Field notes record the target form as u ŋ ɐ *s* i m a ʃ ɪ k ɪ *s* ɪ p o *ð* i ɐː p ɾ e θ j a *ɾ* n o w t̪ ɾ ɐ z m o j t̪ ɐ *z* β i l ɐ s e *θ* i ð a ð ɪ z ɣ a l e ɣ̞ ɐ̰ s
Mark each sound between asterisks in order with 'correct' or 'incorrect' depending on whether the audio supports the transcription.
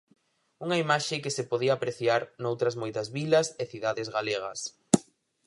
incorrect: none, correct, correct, correct, correct, correct

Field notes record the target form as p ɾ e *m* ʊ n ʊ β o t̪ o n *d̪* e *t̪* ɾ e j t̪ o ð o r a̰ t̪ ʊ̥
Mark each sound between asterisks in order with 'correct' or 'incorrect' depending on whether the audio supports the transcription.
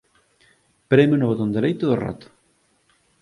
correct, correct, incorrect: none

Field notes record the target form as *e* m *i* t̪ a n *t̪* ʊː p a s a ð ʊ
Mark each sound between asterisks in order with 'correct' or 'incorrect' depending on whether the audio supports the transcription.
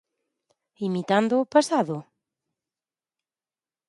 incorrect: i, correct, incorrect: d̪

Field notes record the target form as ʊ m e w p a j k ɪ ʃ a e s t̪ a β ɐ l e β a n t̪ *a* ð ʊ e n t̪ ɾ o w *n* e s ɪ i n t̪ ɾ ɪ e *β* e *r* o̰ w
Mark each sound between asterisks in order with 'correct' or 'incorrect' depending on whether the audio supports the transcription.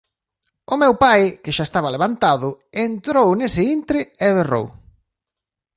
correct, correct, correct, correct

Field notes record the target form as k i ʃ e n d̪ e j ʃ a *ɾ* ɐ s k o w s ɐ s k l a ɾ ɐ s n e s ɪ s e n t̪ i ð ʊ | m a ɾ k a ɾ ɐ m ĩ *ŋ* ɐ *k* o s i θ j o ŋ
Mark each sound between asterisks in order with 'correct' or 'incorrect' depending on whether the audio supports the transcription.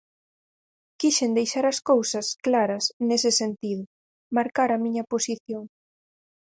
correct, incorrect: ɲ, incorrect: p

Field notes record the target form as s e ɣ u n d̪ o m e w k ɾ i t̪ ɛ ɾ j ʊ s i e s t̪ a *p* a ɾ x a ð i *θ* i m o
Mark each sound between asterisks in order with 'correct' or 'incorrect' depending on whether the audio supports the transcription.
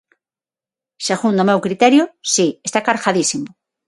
incorrect: k, incorrect: s

